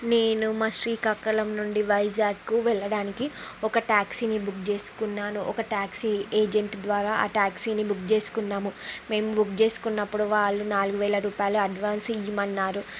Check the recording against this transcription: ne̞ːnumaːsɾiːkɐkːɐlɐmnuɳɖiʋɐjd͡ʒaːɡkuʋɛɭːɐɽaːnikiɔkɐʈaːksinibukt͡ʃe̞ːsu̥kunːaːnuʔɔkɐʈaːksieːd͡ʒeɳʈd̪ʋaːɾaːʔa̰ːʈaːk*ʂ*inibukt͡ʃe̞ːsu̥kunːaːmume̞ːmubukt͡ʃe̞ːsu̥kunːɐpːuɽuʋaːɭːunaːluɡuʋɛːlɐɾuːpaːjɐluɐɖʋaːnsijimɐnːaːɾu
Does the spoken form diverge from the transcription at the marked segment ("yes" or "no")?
yes